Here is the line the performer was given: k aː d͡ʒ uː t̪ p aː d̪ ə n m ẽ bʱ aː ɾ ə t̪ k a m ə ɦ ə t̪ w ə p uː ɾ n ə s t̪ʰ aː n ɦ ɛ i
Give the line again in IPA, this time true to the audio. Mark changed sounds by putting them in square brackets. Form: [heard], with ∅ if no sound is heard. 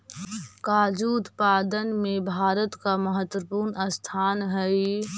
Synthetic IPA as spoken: k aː d͡ʒ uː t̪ p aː d̪ ə n m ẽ bʱ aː ɾ ə t̪ k a m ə ɦ ə t̪ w ə p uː ɾ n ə s t̪ʰ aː n ɦ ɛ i